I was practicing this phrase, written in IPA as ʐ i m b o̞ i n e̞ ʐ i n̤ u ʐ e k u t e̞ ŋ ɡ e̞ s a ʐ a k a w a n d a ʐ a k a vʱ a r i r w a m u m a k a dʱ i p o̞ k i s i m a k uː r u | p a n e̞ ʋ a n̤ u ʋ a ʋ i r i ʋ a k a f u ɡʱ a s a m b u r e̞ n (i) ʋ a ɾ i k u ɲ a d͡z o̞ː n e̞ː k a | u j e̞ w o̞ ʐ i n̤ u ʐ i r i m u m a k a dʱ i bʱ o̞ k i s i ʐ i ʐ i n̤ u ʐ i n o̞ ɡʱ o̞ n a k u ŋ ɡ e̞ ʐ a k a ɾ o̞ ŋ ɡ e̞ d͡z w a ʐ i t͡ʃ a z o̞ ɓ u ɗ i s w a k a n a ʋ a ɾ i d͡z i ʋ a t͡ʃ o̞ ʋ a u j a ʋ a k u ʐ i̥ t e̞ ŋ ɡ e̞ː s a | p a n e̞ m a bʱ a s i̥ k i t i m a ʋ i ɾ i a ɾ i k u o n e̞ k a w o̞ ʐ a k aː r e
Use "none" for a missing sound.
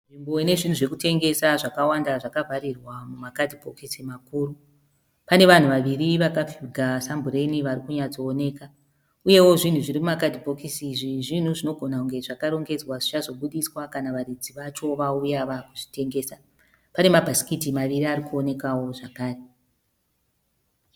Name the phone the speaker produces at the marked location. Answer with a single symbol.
i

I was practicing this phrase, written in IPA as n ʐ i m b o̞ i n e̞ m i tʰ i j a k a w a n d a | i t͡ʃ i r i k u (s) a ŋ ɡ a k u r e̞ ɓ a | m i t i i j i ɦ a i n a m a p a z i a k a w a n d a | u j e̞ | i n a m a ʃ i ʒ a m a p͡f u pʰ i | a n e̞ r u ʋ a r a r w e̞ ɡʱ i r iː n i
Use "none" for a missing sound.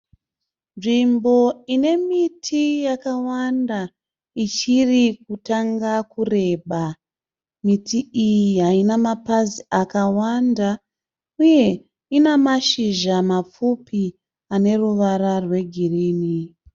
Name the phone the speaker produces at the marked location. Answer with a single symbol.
t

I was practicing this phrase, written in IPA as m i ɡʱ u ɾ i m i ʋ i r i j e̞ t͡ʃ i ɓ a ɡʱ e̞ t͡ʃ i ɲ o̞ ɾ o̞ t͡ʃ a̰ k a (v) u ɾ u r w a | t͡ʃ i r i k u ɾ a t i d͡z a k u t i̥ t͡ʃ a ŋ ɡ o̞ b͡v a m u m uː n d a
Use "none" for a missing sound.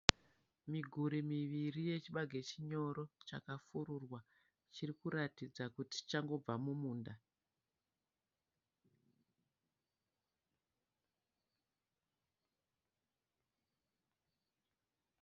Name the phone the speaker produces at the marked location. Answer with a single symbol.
f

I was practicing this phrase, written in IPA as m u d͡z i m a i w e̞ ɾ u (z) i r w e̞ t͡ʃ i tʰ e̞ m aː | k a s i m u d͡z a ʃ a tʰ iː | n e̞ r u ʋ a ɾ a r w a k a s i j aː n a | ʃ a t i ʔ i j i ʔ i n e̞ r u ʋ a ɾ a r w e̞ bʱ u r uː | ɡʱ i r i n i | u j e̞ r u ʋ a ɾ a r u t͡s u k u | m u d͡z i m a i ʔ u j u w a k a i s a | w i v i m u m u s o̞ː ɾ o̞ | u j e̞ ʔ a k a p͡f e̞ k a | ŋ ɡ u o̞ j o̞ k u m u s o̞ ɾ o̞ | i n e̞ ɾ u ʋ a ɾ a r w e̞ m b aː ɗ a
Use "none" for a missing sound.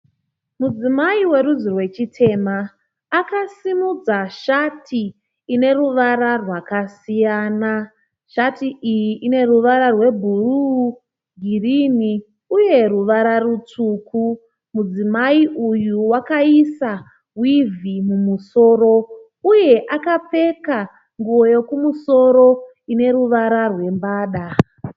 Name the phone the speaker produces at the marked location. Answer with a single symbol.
z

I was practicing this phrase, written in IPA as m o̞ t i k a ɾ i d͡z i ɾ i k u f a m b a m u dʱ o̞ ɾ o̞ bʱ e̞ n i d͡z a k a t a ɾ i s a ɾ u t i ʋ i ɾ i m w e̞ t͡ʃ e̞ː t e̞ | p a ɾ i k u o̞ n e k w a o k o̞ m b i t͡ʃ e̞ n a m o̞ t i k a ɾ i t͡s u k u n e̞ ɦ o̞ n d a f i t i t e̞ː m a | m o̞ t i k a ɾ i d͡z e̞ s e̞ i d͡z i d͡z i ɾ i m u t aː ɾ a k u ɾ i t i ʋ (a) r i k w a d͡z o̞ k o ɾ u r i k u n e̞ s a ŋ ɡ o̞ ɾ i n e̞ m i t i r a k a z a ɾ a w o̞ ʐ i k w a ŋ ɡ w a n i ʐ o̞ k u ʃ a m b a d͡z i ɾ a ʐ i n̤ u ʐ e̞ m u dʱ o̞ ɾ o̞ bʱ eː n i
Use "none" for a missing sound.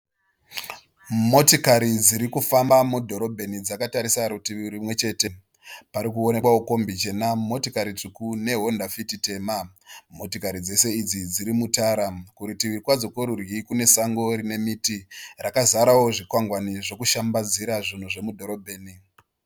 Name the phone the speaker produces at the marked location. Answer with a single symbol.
i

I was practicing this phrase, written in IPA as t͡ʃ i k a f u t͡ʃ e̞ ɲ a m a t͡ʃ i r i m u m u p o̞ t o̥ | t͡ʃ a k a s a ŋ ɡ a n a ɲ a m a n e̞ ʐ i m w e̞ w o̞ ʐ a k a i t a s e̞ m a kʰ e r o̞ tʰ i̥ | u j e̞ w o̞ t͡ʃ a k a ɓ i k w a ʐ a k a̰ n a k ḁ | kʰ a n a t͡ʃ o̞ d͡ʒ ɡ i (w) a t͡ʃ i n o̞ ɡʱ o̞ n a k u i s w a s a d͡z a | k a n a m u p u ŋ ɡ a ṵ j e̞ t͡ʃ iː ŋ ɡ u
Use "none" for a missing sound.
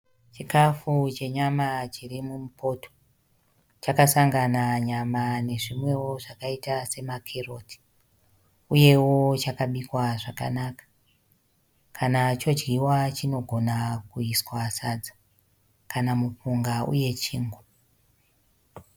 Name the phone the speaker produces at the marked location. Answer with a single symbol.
w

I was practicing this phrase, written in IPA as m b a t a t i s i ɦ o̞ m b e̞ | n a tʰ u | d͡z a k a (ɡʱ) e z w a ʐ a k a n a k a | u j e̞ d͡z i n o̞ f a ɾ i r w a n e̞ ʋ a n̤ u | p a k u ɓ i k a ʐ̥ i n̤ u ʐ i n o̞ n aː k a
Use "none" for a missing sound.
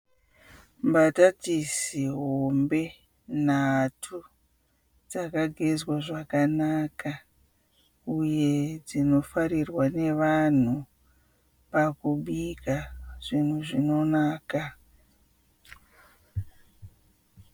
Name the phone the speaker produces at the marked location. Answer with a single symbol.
ɡʱ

